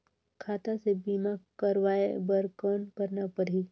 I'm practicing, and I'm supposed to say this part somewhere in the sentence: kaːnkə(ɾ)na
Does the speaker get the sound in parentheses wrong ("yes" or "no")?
no